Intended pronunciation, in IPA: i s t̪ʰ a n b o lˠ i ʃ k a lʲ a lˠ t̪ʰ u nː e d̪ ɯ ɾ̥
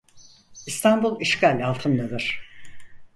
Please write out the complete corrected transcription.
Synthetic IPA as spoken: i s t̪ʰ a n b u lˠ i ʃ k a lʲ a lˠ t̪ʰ ɯ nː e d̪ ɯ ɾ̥